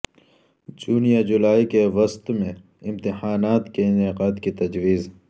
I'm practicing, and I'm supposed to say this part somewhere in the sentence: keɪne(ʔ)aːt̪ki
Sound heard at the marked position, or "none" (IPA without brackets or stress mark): q